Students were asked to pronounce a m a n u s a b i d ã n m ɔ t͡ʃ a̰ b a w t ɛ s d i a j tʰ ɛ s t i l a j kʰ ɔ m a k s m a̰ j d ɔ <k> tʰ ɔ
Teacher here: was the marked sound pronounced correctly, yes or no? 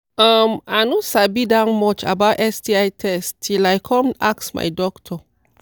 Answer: yes